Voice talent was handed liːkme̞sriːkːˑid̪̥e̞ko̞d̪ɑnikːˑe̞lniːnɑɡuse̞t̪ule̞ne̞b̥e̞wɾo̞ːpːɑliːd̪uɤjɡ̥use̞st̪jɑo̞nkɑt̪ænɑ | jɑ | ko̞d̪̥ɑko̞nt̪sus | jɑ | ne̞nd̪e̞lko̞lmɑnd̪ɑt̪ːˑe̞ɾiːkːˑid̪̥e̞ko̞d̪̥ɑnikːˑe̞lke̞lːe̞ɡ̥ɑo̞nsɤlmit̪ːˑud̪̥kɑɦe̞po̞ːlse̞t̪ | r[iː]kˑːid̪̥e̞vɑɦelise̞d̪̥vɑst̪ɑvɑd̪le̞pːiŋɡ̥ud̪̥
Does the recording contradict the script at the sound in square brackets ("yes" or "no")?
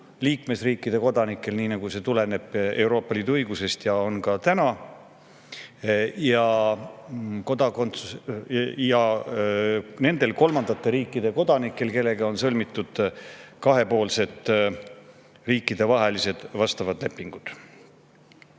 no